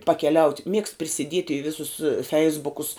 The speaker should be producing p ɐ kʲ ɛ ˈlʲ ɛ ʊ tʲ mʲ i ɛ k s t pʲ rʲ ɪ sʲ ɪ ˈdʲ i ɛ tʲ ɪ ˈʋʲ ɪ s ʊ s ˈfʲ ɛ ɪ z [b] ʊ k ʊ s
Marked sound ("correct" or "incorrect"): correct